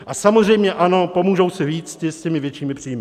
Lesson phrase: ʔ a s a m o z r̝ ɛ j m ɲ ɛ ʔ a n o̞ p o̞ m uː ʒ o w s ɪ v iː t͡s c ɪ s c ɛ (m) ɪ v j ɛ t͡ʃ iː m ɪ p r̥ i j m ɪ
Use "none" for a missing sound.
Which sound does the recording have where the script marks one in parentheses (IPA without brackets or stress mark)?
m